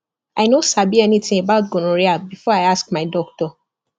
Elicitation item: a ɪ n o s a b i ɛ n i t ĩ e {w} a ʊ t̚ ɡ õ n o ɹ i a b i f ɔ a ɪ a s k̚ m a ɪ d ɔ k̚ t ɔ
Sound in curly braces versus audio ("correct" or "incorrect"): incorrect